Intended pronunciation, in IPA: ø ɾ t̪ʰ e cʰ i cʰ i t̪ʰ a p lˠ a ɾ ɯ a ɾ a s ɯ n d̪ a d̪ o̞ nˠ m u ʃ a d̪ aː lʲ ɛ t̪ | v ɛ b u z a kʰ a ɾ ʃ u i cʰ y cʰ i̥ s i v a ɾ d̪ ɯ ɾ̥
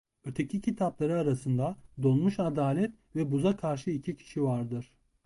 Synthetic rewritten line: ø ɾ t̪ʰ e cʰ i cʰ i t̪ʰ a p lˠ a ɾ ɯ a ɾ a s ɯ n d̪ a d̪ o̞ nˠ m u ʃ a d̪ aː lʲ ɛ t̪ | v ɛ b u z a kʰ a ɾ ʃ ɯ i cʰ i cʰ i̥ ʃ i v a ɾ d̪ ɯ ɾ̥

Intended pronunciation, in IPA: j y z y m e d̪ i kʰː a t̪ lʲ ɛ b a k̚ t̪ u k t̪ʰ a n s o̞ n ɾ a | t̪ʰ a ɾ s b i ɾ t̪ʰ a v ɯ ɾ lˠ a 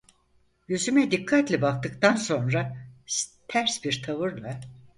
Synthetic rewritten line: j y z y m ɛ d̪ i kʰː a t̪ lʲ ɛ b a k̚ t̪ ɯ k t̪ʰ a n s o̞ n ɾ a | t̪ʰ æ ɾ s b i ɾ t̪ʰ a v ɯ ɾ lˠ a

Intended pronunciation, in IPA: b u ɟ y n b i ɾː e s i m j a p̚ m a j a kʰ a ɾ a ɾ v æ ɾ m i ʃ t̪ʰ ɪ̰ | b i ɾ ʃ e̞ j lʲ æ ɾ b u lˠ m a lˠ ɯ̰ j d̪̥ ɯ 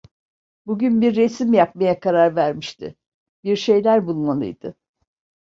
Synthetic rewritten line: b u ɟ y n b i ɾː e s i m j a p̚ m a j a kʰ a ɾ a ɾ v æ ɾ m i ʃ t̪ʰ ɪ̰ | b i ɾ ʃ e̞ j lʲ æ ɾ b u lˠ m a lˠ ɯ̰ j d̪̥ ɯ

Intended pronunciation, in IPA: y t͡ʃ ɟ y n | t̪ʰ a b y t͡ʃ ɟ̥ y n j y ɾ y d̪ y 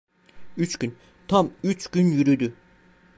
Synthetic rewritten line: y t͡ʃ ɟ y n | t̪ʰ a m y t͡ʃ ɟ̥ y n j y ɾ y d̪ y

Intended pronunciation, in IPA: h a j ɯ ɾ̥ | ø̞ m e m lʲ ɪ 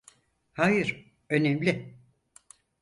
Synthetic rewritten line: h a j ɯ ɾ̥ | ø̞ n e m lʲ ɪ

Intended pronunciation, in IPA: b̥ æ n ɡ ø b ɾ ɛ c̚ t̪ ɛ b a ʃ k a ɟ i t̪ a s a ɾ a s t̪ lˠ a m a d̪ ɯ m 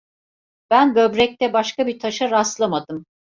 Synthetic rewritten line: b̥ æ n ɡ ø b ɾ ɛ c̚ t̪ ɛ b a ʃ k a b i t̪ʰ a ʃ a ɾ a s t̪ lˠ a m a d̪ ɯ m

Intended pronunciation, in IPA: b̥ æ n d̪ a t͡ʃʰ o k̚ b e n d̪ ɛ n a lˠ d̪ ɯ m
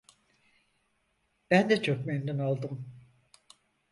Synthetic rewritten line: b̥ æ n d̪ ɛ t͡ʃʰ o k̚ m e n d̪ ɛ n a lˠ d̪ ɯ m

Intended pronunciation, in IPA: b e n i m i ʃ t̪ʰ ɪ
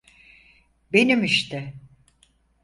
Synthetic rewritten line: b e n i m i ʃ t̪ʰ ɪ

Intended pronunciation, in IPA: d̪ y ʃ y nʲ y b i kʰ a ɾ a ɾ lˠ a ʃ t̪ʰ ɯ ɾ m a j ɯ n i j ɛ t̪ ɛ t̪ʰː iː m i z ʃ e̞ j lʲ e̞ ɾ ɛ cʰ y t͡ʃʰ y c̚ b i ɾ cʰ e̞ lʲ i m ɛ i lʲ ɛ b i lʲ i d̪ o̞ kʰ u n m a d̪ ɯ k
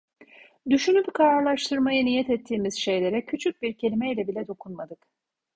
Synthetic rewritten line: d̪ y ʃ y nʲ y b i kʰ a ɾ a ɾ lˠ a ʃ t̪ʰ ɯ ɾ m a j ɯ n i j ɛ t̪ ɛ t̪ʰː iː m i z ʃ e̞ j lʲ e̞ ɾ ɛ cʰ y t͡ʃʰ y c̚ b i ɾ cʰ e̞ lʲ i m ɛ i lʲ ɛ b i lʲ ɛ d̪ o̞ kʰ u n m a d̪ ɯ k

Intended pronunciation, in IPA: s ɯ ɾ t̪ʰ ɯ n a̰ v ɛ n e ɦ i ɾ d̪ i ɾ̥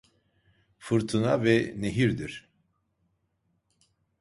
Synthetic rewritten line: f ɯ ɾ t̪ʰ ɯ n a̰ v ɛ n e ɦ i ɾ d̪ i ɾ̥

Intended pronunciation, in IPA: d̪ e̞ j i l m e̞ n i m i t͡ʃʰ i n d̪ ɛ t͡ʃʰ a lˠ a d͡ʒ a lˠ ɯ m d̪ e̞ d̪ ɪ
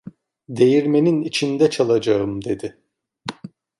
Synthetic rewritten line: d̪ e̞ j i ɾ m e̞ n i n i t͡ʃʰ i n d̪ ɛ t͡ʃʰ a lˠ a d͡ʒ a ɯ m d̪ e̞ d̪ ɪ

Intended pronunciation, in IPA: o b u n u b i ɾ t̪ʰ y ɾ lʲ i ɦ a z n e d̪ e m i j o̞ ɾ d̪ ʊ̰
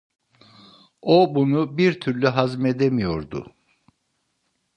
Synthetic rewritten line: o b u n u b i ɾ t̪ʰ y ɾ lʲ y ɦ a z m e d̪ e m i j o̞ ɾ d̪ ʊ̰

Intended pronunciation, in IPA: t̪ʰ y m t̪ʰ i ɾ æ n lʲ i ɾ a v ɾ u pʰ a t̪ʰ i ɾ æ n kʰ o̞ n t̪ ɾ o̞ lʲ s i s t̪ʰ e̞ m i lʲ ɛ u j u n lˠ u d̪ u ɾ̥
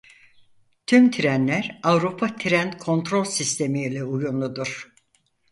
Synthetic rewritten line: t̪ʰ y m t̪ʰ i ɾ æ n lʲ æ ɾ a v ɾ u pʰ a t̪ʰ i ɾ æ n kʰ o̞ n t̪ ɾ o̞ lʲ s i s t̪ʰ e̞ m i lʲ ɛ u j u n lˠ u d̪ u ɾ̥

